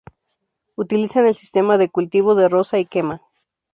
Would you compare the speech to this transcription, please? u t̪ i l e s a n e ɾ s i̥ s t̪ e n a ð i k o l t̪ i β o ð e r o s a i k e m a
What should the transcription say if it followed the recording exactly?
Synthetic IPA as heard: u t̪ i l i s a n e l s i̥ s t̪ e m a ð e k u l t̪ i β o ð e r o s a i k e m a